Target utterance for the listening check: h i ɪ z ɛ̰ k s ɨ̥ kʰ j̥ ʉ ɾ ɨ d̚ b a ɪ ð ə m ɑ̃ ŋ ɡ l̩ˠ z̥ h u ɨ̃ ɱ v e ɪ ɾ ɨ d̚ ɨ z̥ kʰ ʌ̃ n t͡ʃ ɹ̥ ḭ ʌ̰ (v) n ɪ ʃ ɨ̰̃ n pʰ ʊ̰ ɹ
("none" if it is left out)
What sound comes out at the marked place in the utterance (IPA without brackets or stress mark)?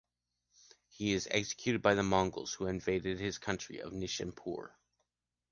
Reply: v